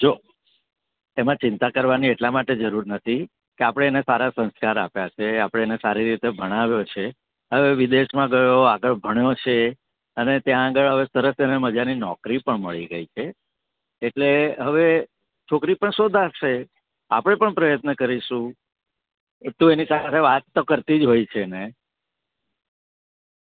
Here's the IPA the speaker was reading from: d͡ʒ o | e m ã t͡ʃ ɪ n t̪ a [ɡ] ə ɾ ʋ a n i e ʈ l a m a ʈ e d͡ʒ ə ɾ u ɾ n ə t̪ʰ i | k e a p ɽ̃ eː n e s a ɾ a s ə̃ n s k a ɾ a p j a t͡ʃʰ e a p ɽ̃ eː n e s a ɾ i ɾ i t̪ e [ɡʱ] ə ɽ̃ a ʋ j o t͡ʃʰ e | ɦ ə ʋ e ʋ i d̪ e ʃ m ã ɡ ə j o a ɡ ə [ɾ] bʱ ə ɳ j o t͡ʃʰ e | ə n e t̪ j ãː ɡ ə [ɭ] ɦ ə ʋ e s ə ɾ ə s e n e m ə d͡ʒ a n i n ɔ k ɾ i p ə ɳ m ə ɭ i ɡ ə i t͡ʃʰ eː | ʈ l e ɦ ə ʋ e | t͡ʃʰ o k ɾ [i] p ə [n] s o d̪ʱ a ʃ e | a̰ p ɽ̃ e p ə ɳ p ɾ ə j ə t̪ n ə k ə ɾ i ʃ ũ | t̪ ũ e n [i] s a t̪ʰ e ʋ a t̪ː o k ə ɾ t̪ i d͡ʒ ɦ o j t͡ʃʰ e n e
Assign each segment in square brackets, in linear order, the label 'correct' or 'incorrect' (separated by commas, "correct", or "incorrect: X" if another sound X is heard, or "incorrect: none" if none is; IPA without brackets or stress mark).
incorrect: k, incorrect: bʱ, incorrect: ɭ, correct, correct, incorrect: ɳ, correct